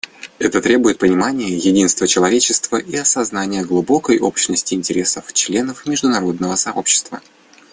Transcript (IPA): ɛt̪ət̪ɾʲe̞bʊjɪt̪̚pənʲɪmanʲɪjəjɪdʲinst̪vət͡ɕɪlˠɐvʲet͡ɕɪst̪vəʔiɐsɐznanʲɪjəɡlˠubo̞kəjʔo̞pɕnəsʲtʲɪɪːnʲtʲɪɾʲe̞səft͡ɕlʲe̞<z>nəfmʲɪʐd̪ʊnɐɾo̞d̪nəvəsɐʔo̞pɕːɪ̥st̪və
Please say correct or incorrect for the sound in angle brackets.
incorrect